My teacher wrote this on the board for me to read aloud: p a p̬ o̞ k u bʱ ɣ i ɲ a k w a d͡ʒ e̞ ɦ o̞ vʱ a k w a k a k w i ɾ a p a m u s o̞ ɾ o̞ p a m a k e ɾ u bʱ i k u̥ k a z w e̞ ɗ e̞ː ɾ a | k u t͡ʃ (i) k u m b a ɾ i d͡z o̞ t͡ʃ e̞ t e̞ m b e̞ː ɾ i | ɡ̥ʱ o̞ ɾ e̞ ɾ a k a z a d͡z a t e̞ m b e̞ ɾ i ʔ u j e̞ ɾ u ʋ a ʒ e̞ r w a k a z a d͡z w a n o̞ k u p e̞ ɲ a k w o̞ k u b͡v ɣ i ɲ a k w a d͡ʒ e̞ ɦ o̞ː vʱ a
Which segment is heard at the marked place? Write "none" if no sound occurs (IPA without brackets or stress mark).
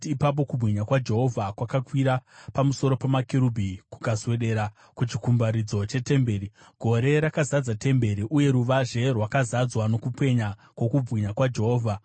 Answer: i